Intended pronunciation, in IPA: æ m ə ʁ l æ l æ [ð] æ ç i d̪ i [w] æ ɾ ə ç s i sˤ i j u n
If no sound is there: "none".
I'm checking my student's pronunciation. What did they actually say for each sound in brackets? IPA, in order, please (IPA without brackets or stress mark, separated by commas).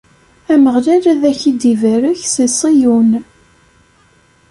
ð, v